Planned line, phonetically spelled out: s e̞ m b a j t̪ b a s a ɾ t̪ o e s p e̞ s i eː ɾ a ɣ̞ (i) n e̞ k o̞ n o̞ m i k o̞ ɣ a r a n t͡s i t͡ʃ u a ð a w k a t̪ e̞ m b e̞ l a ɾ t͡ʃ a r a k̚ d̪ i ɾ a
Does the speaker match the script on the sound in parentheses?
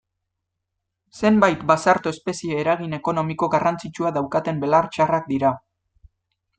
yes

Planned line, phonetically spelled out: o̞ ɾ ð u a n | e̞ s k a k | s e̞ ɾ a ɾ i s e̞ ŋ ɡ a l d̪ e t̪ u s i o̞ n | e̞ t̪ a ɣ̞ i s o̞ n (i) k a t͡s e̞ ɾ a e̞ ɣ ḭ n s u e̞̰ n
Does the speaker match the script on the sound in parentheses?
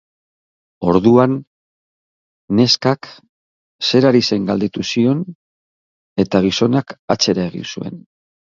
no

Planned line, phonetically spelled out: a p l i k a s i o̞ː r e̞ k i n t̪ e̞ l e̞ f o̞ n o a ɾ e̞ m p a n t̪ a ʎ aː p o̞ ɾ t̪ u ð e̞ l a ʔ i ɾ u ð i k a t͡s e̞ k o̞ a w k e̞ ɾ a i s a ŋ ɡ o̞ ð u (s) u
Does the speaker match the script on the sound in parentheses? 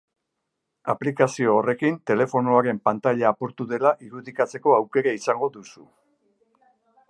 yes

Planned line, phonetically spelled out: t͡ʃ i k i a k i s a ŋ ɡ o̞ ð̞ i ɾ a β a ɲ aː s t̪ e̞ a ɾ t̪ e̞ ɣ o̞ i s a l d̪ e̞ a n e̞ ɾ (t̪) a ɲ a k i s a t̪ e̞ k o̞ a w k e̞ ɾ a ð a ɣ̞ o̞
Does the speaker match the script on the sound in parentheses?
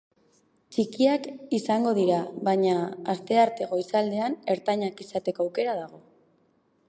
yes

